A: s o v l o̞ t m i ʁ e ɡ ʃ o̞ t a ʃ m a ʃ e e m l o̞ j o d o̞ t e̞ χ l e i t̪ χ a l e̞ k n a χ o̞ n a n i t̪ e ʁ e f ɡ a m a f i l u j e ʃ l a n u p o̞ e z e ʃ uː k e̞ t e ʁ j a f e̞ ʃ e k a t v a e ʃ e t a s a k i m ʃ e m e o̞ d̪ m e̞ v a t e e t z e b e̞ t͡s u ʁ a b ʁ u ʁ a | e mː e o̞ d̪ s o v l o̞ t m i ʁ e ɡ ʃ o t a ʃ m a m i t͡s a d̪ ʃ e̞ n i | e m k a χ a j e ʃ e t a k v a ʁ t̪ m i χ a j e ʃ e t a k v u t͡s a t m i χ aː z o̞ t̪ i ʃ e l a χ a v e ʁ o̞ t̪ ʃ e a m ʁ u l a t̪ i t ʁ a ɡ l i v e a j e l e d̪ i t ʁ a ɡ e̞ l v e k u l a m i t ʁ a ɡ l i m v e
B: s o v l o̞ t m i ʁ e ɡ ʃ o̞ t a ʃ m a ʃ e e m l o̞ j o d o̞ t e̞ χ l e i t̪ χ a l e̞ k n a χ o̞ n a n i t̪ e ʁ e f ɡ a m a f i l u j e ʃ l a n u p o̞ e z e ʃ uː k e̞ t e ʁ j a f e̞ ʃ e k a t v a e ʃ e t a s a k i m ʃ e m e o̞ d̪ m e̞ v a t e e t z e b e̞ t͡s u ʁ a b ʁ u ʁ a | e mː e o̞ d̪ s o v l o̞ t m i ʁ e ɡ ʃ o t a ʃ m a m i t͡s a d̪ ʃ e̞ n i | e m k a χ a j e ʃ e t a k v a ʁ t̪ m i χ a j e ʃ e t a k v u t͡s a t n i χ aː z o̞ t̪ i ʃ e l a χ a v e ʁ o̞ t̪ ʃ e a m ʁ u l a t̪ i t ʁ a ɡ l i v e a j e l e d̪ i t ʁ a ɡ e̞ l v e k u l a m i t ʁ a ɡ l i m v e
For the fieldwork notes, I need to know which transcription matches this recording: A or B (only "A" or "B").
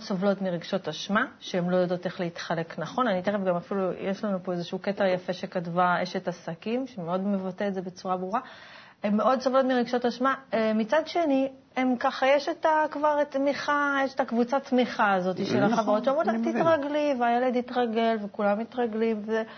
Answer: A